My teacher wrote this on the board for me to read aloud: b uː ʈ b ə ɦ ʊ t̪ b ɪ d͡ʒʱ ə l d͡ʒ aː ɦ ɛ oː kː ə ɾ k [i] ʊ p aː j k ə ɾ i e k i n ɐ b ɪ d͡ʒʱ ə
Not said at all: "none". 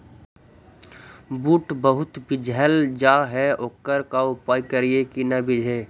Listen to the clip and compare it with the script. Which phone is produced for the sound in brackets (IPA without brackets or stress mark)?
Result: a